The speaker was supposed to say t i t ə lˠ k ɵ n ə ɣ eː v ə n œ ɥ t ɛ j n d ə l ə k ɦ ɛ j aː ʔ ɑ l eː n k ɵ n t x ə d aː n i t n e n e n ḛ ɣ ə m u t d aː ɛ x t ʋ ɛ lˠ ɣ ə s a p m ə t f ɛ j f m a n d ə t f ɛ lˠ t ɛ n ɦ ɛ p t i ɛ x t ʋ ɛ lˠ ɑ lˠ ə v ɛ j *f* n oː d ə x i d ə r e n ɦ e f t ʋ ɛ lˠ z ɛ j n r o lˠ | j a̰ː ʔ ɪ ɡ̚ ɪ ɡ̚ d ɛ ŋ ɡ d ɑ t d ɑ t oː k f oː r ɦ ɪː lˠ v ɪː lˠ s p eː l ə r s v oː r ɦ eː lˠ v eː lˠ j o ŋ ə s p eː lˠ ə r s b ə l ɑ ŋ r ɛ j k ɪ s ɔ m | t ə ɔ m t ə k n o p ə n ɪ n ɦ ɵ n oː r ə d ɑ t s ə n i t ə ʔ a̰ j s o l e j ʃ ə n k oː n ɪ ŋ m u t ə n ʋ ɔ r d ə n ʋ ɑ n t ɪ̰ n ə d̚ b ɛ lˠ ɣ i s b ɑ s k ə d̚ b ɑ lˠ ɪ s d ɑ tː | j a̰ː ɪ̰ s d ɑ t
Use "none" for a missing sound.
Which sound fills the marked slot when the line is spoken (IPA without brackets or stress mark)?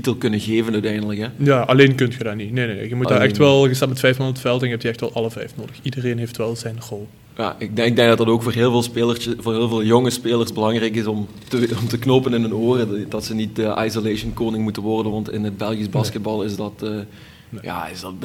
f